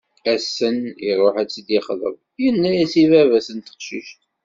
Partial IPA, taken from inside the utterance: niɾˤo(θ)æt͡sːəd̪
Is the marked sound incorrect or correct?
incorrect